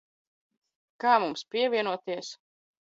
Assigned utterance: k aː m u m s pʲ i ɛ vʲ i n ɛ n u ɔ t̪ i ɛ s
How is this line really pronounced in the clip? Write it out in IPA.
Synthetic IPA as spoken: k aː m u m s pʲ i ɛ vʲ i ɛ n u ɔ t̪ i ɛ s